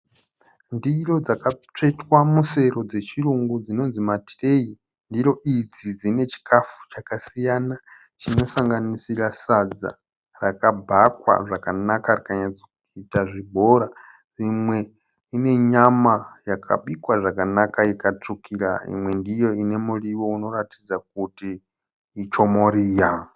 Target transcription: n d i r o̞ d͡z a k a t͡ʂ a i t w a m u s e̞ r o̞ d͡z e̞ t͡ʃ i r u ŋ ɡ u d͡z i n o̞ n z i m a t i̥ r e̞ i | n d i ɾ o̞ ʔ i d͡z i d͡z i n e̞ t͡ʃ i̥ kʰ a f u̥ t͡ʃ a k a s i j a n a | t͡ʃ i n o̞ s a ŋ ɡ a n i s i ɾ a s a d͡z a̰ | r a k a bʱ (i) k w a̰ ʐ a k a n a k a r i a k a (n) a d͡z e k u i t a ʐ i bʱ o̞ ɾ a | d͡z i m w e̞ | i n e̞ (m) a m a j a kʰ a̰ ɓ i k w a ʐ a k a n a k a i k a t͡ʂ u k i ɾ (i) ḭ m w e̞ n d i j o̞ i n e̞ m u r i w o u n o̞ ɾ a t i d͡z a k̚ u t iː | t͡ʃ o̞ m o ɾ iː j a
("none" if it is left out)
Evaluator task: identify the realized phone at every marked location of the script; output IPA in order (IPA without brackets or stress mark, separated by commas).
a, ɲ, ɲ, a